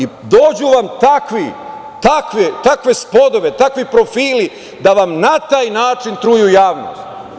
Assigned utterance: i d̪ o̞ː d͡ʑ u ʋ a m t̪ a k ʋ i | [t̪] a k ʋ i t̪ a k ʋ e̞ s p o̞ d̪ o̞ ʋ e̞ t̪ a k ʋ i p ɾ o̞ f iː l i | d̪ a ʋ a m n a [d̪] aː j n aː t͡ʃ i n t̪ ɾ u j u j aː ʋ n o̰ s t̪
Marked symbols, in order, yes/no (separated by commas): yes, no